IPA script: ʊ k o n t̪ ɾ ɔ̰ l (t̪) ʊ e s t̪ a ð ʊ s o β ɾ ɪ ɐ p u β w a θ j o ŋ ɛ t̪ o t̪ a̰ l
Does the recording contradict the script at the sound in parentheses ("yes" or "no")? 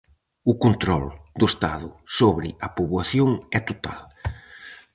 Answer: yes